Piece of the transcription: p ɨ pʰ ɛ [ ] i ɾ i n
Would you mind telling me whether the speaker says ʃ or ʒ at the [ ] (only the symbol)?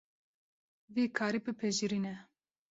ʒ